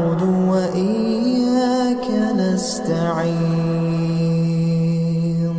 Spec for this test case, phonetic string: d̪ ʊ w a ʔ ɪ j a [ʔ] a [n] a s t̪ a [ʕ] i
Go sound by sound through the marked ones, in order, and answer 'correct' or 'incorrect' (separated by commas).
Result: incorrect, correct, correct